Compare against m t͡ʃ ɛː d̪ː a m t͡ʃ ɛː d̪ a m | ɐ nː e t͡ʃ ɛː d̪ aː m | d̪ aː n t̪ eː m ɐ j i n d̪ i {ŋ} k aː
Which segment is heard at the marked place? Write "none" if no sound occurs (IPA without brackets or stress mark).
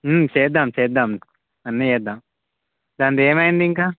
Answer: ŋ